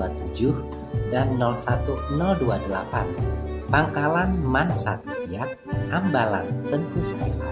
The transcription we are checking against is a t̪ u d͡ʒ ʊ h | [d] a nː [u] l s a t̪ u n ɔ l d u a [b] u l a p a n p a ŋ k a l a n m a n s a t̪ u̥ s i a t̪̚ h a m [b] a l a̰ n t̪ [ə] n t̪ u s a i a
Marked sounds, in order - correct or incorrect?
correct, incorrect, incorrect, correct, correct

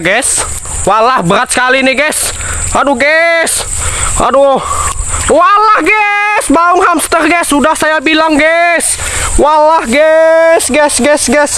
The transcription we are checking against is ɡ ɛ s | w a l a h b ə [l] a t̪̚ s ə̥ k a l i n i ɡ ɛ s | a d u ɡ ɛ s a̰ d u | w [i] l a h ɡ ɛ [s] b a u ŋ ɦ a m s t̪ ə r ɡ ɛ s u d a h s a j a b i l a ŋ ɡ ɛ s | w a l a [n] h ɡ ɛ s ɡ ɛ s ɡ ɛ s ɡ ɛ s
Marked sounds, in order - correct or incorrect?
incorrect, incorrect, correct, incorrect

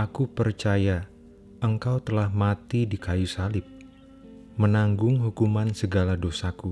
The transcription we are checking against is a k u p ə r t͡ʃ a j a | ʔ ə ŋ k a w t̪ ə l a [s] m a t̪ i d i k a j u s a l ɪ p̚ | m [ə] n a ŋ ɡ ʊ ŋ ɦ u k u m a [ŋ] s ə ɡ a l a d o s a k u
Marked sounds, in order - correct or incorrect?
incorrect, correct, incorrect

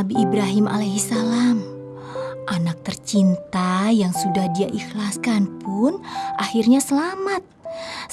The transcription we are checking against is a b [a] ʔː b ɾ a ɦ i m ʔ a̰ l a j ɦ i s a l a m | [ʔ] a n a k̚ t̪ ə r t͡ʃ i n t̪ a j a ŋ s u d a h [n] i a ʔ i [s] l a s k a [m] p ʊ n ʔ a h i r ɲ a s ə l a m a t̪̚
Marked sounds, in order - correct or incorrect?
incorrect, correct, incorrect, incorrect, incorrect

